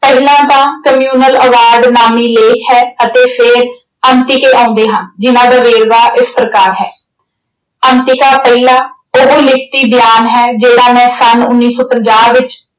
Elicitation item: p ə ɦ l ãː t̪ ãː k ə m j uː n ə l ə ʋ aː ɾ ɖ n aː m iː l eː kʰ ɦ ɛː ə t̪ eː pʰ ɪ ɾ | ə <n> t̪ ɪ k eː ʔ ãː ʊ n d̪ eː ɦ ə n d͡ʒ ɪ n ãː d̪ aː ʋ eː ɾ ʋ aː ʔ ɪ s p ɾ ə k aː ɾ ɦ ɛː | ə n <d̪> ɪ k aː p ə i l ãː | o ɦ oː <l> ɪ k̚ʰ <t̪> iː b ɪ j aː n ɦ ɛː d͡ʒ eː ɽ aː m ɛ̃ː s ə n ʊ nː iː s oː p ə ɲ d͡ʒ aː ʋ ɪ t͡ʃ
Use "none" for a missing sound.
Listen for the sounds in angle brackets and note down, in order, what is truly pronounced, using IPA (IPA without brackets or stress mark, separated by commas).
n, t̪, l, t̪